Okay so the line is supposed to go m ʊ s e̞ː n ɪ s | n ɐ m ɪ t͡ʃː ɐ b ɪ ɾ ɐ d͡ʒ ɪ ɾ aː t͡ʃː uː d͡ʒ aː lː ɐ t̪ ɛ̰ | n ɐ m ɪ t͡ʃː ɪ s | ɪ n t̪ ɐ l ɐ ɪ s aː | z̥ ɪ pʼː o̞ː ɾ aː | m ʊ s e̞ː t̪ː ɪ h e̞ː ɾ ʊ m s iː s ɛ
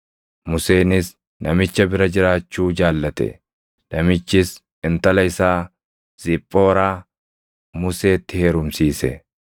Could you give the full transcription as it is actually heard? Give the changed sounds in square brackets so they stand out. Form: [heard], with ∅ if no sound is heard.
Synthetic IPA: m ʊ s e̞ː n ɪ s | n ɐ m ɪ t͡ʃː ɐ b ɪ ɾ ɐ d͡ʒ ɪ ɾ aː t͡ʃː uː d͡ʒ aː lː ɐ t̪ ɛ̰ | n ɐ m ɪ t͡ʃː ɪ s | ɪ n t̪ ɐ l ɐ ɪ s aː | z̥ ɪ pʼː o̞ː ɾ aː | m ʊ s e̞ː t̪ː ɪ h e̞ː ɾ ʊ m s iː s ɛ